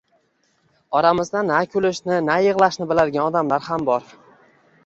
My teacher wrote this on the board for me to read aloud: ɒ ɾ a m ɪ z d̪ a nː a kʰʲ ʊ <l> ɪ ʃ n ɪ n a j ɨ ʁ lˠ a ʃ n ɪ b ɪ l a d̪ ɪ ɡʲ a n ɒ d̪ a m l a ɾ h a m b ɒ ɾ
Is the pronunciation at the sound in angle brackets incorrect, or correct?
correct